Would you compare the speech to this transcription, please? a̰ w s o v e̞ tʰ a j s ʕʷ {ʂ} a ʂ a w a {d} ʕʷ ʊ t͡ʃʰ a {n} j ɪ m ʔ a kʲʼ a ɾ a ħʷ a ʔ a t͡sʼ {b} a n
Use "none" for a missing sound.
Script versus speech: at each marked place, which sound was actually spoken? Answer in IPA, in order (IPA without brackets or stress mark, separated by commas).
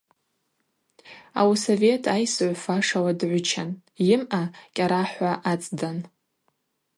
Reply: f, d, n, d